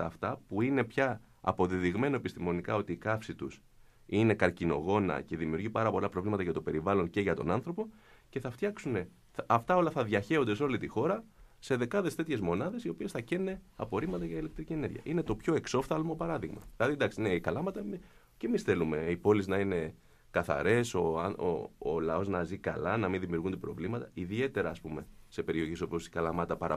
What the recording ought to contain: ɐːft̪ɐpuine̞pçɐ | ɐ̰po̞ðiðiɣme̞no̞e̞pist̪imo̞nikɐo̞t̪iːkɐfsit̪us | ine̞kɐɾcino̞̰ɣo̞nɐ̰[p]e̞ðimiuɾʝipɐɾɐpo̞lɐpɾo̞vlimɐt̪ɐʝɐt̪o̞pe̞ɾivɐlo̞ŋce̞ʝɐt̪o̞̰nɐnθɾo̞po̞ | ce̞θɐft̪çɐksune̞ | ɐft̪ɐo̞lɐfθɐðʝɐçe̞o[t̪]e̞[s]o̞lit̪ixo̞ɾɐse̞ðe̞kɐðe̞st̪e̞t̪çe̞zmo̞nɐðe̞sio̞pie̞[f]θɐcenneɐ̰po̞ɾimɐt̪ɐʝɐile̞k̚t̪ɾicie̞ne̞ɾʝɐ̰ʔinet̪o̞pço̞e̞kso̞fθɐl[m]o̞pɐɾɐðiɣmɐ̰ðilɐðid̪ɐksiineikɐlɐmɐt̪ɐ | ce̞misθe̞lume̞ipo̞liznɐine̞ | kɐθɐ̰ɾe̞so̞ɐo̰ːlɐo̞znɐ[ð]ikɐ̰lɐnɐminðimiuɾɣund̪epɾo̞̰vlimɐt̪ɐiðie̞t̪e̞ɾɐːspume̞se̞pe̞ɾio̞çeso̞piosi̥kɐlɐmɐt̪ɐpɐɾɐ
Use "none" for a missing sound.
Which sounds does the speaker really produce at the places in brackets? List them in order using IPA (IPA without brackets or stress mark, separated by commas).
c, d̪, s, s, m, z